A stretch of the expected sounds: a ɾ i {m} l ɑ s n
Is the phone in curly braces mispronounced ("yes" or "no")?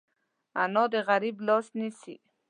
yes